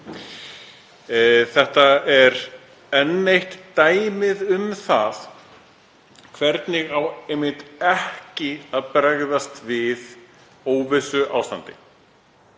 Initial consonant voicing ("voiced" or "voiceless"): voiceless